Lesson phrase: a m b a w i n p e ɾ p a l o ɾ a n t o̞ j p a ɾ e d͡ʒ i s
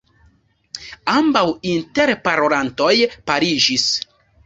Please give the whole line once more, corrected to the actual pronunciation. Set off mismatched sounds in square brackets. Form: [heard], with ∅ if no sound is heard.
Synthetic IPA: a m b a w i n [t] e ɾ p a [ɾ] o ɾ a n t o̞ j p a ɾ [i] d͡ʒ i s